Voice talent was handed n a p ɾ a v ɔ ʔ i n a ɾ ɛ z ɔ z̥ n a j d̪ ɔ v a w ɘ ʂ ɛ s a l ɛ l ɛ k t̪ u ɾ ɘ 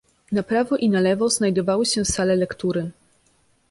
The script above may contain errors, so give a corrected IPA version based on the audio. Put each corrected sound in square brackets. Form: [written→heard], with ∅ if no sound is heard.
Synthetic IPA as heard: n a p ɾ a v ɔ ʔ i n a [ɾ→l] ɛ [z→v] ɔ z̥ n a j d̪ ɔ v a w ɘ [ʂ→ɕ] ɛ s a l ɛ l ɛ k t̪ u ɾ ɘ